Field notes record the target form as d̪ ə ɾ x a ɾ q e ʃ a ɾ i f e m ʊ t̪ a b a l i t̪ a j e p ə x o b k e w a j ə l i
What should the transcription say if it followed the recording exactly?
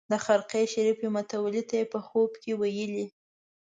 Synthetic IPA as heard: d̪ ə x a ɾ q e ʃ a ɾ i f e m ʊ t̪ a w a l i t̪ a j e p ə x o b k e w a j ə l i

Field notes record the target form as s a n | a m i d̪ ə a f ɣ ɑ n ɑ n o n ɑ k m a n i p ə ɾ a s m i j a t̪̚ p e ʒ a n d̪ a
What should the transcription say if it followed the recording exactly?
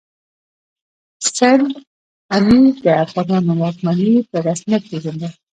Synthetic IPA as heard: s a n | a m i d̪ ə a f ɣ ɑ n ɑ n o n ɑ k m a n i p ə ɾ a s m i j a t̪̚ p e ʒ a n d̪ a

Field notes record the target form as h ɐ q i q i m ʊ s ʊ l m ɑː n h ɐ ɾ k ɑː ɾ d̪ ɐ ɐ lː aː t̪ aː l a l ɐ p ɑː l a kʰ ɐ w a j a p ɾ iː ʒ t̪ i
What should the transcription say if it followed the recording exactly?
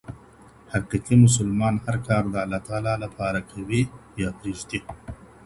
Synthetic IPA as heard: h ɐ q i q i m ʊ s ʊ l m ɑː n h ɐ ɾ k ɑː ɾ d̪ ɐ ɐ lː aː t̪ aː l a l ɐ p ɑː ɾ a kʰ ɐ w i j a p ɾ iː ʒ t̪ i

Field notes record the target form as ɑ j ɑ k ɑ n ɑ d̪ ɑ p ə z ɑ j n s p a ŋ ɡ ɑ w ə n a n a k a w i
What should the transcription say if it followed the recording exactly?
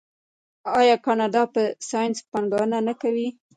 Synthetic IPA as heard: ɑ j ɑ k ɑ n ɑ d̪ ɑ p ə s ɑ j n s p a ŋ ɡ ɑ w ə n a n a k a w i

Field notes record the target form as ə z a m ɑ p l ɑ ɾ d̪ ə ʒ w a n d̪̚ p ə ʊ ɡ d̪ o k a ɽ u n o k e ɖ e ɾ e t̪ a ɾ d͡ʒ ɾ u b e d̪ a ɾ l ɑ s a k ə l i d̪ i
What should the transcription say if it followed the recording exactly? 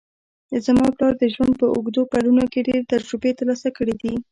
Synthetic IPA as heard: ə z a m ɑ p l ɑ ɾ d̪ ə ʒ w a n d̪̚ p ə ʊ ɡ d̪ o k a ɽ u n o k e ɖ e ɾ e t̪ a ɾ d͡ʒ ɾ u b e t̪ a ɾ l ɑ s a k ə ɽ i d̪ i

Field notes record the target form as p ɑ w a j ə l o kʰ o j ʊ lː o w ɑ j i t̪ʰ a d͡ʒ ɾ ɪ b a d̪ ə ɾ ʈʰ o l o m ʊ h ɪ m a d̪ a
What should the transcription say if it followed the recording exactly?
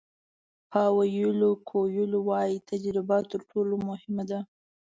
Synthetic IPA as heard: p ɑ w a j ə l o kʰ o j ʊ l o w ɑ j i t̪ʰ a d͡ʒ ɾ ɪ b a t̪ ə ɾ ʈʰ o l o m ʊ h ɪ m a d̪ a

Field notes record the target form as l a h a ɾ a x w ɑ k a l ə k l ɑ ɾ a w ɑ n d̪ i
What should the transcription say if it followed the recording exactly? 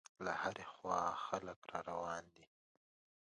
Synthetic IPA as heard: l a h a ɾ e x w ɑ x a l ə k ɾ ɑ ɾ a w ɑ n d̪ i

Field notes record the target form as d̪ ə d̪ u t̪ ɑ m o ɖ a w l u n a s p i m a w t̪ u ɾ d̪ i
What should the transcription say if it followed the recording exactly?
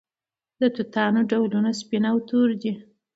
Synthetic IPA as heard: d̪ ə t̪ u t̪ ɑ n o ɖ a w l u n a s p i n a w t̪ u ɾ d̪ i

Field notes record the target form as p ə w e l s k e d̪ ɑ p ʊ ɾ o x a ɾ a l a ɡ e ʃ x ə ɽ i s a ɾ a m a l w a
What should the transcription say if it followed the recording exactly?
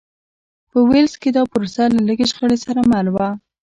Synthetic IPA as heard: p ə w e l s k e d̪ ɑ p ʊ ɾ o s a l a l ə ɡ e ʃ x ə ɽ e s a ɾ a m a l w a

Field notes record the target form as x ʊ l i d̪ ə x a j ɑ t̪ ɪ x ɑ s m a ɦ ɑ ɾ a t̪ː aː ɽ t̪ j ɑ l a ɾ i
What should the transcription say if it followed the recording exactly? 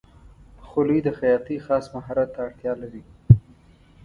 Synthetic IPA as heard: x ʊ l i d̪ ə x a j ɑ t̪ i x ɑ s m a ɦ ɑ ɾ a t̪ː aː ɽ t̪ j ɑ l a ɾ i

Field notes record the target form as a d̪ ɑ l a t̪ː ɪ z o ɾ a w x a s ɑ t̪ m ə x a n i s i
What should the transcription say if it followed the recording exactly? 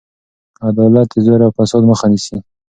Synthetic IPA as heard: a d̪ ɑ l a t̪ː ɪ z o ɾ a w f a s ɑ d̪ m ə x a n i s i

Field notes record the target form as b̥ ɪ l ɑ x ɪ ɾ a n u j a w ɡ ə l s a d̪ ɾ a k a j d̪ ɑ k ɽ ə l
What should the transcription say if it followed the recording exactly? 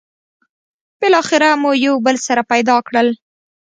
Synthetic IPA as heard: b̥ ɪ l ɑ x ɪ ɾ a m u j a w b ə l s a ɾ a p a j d̪ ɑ k ɽ ə l

